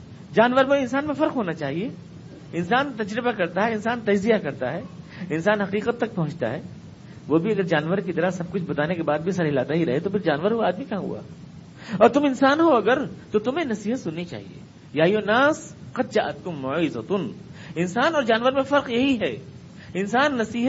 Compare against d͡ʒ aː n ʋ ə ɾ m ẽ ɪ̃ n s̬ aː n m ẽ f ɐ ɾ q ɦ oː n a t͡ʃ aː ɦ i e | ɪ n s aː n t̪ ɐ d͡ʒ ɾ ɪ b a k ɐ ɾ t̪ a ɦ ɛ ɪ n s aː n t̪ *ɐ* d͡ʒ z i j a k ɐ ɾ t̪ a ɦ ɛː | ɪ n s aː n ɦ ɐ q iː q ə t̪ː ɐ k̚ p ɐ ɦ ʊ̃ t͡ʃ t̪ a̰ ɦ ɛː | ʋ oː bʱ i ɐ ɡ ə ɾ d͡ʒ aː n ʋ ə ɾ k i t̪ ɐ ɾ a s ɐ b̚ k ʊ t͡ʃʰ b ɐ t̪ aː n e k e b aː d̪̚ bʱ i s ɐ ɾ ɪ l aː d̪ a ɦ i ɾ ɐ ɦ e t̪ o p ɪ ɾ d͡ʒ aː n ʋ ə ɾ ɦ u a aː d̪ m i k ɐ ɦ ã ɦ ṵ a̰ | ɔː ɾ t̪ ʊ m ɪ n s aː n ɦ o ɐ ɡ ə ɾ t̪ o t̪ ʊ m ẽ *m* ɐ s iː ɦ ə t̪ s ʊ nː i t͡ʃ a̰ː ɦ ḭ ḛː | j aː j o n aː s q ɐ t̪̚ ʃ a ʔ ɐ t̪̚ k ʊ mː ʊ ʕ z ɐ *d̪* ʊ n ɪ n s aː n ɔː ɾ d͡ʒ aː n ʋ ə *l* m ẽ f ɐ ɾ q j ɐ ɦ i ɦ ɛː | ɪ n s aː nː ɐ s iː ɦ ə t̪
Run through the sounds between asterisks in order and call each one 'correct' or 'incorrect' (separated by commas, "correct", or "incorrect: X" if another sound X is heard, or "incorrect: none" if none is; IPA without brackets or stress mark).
correct, incorrect: n, incorrect: t̪, incorrect: ɾ